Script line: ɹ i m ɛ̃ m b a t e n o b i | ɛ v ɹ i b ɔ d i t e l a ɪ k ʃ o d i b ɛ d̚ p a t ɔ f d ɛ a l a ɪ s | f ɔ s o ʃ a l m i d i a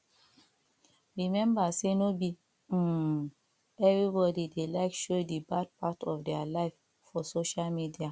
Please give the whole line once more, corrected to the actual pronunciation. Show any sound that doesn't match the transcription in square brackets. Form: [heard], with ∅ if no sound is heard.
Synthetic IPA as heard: ɹ i m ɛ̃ m b a [s] e n o b i | ɛ v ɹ i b ɔ d i [d] e l a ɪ k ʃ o d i b [a] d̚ p a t ɔ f d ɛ a l a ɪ [f] | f ɔ s o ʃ a l m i d i a